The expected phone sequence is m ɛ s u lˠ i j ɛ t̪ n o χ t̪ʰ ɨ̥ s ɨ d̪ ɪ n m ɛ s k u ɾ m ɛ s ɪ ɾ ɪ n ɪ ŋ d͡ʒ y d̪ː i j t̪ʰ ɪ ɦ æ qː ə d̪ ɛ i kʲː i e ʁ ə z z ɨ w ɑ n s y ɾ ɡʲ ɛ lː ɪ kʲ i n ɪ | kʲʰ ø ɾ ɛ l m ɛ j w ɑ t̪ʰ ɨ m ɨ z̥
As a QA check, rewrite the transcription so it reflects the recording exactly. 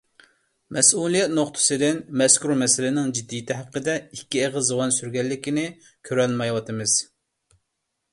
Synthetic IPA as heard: m ɛ s u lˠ i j ɛ t̪ n o χ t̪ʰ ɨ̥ s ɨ d̪ ɪ n m ɛ s k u ɾ m ɛ s ɪ l ɪ n ɪ ŋ d͡ʒ i d̪ː i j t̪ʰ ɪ ɦ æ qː ə d̪ ɛ i kʲː i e ʁ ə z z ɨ w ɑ n s y ɾ ɡʲ ɛ lː ɪ kʲ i n ɪ | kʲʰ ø ɾ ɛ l m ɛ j w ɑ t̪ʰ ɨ m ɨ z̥